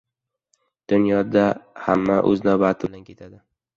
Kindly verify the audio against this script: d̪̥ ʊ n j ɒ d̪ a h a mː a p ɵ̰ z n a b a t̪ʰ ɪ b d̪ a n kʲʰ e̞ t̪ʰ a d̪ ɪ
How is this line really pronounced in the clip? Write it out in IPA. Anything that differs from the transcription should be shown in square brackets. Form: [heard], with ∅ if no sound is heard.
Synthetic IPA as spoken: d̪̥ ʊ n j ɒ d̪ a h a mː a [ʔ] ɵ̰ z n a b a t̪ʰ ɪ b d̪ a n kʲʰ e̞ t̪ʰ a d̪ ɪ